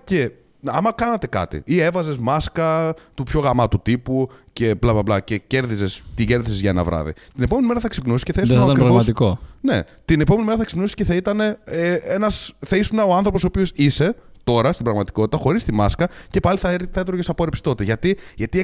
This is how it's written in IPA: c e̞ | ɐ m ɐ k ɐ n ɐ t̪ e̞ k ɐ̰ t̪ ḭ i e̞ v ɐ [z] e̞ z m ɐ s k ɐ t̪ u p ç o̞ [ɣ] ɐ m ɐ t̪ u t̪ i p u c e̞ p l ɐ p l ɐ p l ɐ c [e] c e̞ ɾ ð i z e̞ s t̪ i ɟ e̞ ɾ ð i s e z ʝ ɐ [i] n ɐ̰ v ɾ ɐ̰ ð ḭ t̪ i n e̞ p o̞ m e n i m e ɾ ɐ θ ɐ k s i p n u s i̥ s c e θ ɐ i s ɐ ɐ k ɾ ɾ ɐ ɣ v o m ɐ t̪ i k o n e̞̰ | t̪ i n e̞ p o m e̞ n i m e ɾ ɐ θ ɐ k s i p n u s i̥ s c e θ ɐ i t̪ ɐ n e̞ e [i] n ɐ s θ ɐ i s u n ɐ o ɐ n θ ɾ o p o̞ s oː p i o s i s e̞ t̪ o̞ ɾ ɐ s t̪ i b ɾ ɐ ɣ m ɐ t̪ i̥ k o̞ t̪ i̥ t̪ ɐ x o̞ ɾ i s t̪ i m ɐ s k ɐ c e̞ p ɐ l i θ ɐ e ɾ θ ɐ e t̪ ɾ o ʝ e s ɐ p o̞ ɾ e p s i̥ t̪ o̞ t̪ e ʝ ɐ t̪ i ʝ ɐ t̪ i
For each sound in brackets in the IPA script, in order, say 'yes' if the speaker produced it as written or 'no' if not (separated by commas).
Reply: yes, yes, yes, no, no